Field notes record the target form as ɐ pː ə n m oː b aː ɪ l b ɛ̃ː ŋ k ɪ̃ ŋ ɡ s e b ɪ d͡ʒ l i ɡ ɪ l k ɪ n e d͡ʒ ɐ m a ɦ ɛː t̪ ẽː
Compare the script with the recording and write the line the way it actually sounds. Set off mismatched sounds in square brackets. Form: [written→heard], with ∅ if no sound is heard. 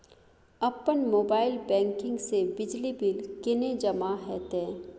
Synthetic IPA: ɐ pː ə n m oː b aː ɪ l b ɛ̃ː ŋ k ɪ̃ ŋ ɡ s e b ɪ d͡ʒ l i [ɡ→b] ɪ l k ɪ n e d͡ʒ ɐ m a ɦ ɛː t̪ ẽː